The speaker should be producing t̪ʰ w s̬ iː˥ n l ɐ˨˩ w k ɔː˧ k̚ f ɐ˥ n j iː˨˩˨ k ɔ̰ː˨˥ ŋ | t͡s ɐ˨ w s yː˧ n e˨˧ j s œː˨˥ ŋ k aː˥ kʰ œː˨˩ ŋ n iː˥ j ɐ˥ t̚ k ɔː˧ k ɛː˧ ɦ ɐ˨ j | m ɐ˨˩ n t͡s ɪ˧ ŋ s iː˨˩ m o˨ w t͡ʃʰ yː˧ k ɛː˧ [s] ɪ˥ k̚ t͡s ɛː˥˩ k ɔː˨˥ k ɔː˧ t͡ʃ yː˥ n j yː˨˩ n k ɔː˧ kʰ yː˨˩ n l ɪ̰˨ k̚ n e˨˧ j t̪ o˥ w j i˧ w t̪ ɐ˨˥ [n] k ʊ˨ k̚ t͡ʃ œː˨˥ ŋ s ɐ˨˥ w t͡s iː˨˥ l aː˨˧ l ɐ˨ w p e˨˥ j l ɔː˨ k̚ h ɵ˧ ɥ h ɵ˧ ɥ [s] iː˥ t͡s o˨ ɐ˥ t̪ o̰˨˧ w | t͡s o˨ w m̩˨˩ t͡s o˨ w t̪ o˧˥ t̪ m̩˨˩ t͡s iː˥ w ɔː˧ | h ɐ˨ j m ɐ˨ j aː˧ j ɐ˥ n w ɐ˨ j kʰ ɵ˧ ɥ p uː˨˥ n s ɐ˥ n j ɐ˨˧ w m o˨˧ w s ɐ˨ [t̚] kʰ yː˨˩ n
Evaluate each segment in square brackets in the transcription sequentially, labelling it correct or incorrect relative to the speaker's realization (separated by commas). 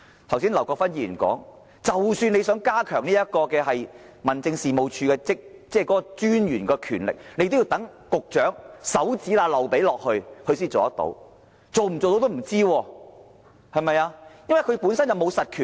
incorrect, incorrect, correct, correct